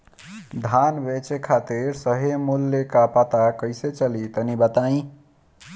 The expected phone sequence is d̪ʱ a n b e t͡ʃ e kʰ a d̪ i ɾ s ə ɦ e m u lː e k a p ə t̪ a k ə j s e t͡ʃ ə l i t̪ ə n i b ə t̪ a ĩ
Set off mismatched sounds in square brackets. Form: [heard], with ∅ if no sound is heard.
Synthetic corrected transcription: d̪ʱ a n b e t͡ʃ e kʰ a [t̪] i ɾ s ə ɦ e m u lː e k a p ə t̪ a k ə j s e t͡ʃ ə l i t̪ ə n i b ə t̪ a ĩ